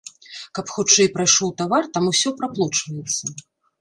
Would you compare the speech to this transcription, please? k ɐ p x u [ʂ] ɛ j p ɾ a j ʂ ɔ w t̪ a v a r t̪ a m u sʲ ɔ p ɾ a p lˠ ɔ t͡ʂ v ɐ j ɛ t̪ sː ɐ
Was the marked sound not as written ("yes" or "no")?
yes